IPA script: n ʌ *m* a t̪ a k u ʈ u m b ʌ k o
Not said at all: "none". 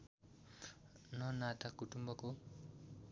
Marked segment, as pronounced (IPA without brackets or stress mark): n